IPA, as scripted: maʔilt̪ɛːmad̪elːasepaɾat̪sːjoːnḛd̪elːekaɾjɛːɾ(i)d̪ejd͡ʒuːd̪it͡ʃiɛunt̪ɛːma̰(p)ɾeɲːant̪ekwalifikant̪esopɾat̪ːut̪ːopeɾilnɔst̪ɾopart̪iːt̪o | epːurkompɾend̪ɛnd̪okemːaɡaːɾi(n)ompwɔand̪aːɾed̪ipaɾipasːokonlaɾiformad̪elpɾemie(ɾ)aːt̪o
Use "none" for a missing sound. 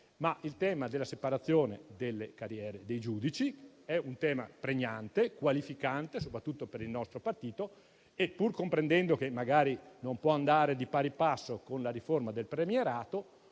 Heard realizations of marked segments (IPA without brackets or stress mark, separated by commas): e, p, n, ɾ